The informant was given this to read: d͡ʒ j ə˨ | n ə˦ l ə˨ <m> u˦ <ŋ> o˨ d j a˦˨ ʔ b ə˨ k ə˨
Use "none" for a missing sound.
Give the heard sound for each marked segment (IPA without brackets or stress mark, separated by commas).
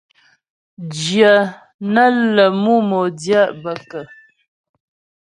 m, m